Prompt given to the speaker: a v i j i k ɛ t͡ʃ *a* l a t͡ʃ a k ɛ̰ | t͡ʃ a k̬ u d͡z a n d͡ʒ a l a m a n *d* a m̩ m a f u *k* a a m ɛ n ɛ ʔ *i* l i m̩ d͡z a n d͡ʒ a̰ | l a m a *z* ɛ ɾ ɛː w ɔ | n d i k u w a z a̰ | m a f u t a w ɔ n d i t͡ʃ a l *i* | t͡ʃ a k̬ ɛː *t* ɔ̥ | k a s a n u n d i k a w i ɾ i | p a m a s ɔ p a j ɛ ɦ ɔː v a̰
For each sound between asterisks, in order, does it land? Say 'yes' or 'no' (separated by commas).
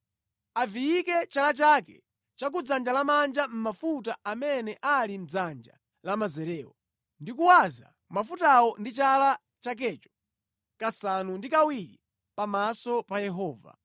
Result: yes, no, no, no, yes, no, no